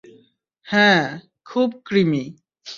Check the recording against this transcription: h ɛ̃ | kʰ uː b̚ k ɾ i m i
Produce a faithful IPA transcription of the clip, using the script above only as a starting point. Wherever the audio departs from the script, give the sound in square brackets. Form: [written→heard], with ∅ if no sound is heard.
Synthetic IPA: h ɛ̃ | kʰ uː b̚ k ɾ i m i